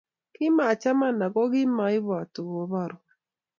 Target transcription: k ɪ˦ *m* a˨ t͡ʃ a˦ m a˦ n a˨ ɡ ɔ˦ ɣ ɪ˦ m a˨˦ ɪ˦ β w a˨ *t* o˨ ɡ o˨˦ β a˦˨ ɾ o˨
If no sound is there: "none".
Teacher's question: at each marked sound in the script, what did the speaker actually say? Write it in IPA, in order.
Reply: m, t

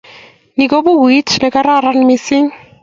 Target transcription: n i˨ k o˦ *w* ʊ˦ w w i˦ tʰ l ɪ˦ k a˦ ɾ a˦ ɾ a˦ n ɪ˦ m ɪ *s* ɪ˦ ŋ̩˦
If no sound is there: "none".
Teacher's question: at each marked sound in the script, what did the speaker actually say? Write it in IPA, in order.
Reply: b, s

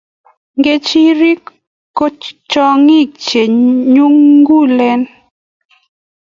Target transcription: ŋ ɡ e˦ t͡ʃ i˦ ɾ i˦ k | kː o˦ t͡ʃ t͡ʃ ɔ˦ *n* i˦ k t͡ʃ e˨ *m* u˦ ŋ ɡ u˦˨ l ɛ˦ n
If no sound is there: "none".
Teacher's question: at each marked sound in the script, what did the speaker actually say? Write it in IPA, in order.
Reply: ŋ, ɲ

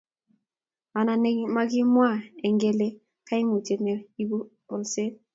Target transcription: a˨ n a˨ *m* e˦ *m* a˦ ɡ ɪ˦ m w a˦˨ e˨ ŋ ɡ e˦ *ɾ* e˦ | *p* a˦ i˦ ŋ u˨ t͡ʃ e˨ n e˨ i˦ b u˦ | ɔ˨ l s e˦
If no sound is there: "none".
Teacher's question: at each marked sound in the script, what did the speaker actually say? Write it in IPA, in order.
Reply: n, m, l, k

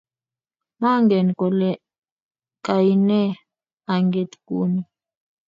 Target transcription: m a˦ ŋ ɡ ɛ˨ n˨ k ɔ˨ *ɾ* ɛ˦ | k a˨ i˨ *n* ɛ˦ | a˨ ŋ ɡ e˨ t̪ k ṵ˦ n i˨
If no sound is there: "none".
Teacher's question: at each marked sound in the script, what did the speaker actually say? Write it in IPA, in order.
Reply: l, n

